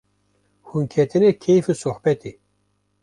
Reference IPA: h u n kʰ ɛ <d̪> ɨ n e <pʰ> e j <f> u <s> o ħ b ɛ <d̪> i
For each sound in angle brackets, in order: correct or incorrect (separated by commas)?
incorrect, incorrect, correct, correct, incorrect